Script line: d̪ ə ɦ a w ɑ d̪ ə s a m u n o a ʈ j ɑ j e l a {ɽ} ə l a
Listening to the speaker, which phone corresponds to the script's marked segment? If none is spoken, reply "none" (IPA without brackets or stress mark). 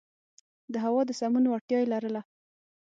ɾ